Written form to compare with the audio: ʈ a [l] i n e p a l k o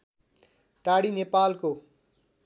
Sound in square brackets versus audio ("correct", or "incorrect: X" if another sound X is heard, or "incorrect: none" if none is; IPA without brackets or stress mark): incorrect: ɽ